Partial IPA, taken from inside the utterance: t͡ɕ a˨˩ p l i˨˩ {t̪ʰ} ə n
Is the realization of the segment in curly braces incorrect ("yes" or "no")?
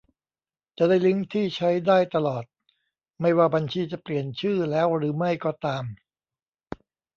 yes